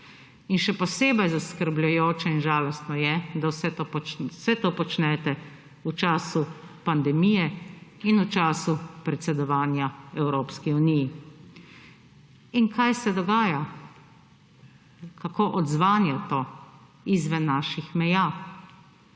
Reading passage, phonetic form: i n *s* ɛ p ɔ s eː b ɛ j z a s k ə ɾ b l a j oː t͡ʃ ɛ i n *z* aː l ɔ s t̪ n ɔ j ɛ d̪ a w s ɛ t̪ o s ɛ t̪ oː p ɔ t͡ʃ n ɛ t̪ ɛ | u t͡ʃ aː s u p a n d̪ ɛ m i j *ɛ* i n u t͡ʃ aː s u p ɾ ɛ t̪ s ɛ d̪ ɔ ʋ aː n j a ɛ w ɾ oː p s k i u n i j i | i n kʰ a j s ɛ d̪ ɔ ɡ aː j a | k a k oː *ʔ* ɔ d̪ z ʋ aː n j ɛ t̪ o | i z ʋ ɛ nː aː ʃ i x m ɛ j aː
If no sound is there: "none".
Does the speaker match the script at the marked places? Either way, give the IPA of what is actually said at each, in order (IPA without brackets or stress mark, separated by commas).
ʃ, ʒ, ɛ, ʔ